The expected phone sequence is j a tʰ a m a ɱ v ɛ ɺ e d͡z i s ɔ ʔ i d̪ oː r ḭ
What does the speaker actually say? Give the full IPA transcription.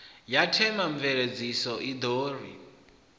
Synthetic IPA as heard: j a tʰ ɛ m a ɱ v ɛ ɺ e d͡z i s ɔ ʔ i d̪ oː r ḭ